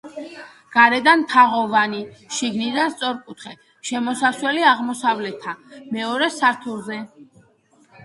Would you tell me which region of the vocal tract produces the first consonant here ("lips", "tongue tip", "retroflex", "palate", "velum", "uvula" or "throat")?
velum